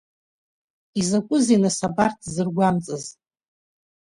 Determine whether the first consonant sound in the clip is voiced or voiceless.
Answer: voiced